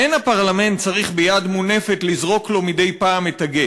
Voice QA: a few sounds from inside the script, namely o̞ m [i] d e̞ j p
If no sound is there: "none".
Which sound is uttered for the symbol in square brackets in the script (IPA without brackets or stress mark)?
i